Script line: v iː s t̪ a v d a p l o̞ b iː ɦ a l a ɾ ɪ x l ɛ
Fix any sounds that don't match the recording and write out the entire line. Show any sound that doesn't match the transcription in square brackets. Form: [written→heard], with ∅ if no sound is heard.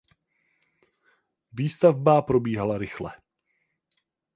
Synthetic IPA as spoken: v iː s t̪ a v [d→b] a p [l→ɾ] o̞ b iː ɦ a l a ɾ ɪ x l ɛ